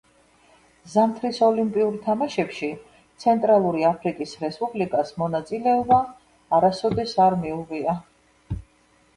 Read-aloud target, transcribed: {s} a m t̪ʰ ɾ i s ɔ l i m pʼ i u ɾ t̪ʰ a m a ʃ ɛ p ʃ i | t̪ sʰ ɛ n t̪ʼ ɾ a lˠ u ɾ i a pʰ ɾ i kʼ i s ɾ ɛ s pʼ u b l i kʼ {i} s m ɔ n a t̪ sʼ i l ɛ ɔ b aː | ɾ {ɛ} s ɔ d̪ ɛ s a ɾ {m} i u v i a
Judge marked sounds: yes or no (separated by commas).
no, no, no, yes